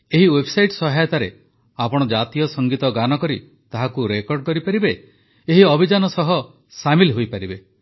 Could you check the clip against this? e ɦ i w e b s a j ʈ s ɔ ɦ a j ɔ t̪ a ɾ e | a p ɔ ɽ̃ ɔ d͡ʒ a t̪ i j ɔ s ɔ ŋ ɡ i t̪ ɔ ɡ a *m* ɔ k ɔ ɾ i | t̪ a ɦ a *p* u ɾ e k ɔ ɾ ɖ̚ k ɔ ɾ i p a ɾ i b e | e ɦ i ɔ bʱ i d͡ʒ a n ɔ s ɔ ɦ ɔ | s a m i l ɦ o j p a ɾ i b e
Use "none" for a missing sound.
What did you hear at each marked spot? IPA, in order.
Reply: n, k

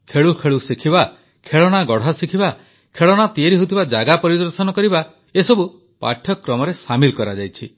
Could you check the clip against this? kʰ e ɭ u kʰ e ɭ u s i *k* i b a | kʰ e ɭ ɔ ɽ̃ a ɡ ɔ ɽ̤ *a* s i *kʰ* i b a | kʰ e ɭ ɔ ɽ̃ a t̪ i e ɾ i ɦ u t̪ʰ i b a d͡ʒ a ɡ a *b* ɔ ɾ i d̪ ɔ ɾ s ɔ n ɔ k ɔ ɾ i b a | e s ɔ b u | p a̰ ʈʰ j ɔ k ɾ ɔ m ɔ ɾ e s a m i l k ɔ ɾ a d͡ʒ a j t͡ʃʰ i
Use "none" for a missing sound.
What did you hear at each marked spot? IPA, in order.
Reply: kʰ, a, kʰ, p

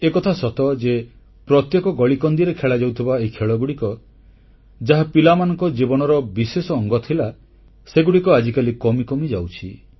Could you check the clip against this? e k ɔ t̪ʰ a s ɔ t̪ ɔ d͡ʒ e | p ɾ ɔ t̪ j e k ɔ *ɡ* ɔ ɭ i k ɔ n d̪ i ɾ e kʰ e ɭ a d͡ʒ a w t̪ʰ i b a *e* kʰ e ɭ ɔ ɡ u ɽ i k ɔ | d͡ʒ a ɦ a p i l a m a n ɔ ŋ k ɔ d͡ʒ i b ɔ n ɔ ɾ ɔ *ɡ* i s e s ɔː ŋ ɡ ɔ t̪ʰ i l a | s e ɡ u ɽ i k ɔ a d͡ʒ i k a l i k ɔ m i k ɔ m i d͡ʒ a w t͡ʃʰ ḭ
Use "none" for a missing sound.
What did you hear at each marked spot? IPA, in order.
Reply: ɡ, e, b

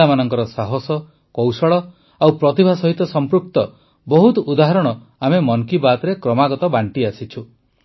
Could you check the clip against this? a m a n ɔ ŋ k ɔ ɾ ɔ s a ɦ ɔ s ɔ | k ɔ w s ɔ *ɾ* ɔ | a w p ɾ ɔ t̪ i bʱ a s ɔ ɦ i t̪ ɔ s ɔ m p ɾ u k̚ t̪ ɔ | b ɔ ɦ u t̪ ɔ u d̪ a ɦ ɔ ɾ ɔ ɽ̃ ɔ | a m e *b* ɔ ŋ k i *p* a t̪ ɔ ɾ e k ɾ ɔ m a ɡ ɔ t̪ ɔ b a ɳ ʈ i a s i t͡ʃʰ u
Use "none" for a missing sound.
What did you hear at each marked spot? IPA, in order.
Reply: ɭ, m, b

